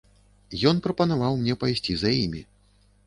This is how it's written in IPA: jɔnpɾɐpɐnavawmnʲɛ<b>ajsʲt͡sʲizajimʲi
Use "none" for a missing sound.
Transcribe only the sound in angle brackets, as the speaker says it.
p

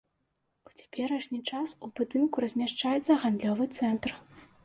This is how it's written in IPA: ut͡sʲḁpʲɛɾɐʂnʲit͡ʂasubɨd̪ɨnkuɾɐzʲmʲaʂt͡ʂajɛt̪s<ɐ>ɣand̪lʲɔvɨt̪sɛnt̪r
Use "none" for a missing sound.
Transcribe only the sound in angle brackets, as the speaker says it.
ɐ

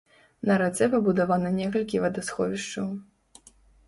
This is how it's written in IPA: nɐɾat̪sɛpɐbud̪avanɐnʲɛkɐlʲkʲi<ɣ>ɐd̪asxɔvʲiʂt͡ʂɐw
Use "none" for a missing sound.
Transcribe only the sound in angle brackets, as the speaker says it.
v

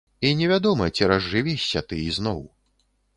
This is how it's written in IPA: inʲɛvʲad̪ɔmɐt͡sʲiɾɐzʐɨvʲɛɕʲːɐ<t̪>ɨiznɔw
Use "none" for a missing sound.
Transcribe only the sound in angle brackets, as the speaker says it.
t̪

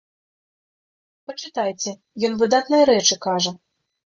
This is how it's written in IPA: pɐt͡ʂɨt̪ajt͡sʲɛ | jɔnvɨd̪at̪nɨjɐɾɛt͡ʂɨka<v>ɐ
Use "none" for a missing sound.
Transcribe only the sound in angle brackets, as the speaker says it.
ʐ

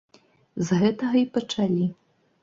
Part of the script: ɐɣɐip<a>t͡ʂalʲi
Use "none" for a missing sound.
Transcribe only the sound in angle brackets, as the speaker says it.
ɐ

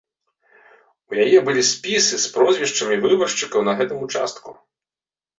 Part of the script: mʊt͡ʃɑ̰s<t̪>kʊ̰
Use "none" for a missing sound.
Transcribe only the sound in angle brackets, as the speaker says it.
t̪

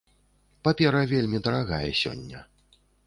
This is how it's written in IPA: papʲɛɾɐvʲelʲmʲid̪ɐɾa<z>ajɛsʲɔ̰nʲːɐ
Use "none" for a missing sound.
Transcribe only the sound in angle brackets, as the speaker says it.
ɣ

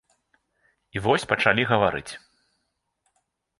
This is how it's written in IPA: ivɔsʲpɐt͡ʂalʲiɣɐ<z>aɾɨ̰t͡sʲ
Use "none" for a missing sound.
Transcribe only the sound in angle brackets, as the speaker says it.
v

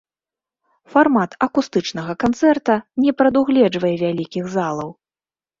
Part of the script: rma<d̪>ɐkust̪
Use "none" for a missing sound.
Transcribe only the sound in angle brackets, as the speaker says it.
t̪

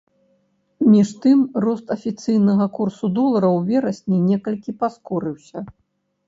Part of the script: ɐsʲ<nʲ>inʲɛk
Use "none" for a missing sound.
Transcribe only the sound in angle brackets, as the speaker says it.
nʲ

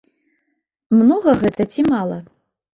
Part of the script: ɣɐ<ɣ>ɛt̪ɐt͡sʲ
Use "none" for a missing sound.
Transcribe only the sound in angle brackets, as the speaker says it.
ɣ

